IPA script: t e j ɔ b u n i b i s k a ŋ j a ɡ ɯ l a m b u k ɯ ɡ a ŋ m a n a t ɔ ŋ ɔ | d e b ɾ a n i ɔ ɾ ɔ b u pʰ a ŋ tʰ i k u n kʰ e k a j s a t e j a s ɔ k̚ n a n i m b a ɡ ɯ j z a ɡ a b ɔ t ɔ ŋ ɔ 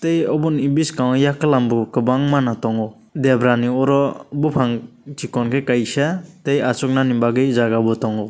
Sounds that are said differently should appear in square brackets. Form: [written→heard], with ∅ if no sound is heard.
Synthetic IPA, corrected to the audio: t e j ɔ b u n i b i s k a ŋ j a [ɡ→k] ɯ l a m b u k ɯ [ɡ→b] a ŋ m a n a t ɔ ŋ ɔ | d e b ɾ a n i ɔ ɾ ɔ b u pʰ a ŋ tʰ i k [u→ɔ] n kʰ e k a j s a t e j a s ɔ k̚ n a n i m b a ɡ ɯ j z a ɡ a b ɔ t ɔ ŋ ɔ